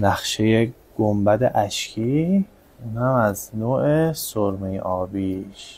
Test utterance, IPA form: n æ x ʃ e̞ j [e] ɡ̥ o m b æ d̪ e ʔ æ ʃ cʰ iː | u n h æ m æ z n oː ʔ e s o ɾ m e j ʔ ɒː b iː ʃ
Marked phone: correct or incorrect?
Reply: correct